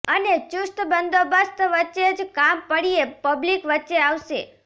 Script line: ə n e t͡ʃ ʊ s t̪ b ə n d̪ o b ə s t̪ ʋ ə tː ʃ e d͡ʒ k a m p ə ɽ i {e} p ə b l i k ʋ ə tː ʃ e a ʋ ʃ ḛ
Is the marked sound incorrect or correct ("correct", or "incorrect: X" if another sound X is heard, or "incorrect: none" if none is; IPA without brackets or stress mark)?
correct